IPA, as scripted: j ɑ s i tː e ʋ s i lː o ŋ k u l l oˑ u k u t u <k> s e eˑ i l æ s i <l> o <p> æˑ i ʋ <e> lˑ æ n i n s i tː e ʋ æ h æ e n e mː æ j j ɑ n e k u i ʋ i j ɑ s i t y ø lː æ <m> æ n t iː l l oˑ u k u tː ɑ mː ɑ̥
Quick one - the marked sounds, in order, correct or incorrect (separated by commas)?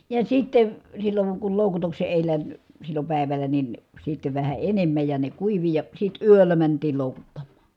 correct, incorrect, correct, incorrect, correct